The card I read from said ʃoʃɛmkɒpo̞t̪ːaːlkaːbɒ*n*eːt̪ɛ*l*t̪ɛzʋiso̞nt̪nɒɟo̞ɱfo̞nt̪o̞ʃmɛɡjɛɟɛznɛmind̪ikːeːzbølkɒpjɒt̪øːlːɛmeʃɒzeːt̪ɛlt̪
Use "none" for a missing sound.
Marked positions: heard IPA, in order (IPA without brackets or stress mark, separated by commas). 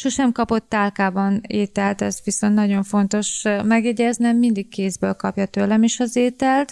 n, l